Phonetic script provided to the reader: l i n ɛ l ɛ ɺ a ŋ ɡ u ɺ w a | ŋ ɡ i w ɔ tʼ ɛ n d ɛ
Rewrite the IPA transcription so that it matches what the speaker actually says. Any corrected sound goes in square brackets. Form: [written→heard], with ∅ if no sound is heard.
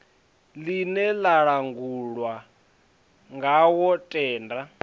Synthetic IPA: l i n ɛ l [ɛ→a] ɺ a ŋ ɡ u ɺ w a | ŋ ɡ [i→a] w ɔ tʼ [ɛ→ɛː] n d [ɛ→a]